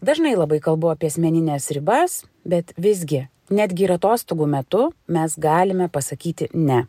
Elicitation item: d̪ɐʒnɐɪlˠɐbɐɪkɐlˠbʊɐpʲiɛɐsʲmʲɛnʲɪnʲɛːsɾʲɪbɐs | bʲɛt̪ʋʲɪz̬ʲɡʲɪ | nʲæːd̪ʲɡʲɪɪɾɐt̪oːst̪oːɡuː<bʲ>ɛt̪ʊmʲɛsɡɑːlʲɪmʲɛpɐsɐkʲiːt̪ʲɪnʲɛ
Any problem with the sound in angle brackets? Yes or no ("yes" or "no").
yes